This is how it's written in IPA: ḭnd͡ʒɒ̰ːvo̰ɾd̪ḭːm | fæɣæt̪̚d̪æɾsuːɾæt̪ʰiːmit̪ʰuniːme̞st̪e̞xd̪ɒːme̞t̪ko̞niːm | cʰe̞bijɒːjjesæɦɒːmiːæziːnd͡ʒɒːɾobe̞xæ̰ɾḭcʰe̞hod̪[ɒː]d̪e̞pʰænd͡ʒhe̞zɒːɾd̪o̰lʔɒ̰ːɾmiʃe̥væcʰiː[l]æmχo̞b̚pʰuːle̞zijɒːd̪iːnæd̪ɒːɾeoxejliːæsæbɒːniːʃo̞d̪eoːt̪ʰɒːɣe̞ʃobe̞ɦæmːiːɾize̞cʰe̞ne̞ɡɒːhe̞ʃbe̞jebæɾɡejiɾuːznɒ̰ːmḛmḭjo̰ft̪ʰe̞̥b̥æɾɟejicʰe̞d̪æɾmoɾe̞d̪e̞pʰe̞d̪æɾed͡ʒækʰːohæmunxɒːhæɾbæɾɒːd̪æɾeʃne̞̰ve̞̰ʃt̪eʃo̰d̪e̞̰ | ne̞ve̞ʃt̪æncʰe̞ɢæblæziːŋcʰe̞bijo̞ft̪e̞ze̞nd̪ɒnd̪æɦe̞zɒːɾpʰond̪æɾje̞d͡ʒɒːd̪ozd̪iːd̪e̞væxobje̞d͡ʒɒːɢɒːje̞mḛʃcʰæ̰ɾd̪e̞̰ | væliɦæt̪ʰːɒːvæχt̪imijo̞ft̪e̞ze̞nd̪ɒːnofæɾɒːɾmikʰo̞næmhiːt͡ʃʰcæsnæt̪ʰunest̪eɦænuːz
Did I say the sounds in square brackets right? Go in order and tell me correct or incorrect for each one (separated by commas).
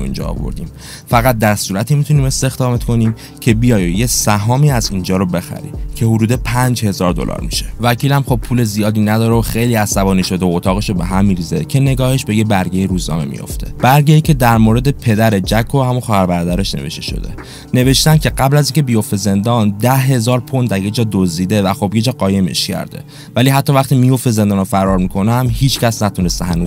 incorrect, correct